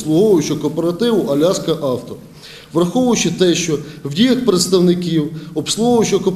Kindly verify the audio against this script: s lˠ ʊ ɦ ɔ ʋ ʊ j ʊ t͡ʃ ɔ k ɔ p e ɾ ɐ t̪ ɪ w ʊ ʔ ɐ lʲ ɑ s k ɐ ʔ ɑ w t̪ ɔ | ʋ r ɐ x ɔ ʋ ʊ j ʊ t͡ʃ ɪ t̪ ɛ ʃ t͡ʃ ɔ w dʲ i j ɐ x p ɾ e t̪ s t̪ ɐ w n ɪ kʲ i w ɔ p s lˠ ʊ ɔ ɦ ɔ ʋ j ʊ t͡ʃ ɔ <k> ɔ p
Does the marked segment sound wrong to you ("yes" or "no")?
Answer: no